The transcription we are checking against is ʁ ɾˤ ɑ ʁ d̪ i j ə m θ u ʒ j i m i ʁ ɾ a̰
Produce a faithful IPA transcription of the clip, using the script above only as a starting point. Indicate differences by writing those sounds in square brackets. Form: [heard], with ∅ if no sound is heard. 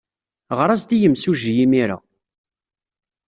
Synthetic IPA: ʁ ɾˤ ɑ [z] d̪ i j ə m [s] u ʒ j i m i [∅] ɾ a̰